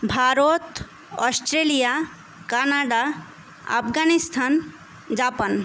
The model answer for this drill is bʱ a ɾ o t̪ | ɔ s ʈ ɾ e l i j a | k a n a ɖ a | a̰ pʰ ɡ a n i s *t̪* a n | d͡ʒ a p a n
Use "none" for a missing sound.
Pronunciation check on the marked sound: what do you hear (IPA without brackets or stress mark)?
t̪ʰ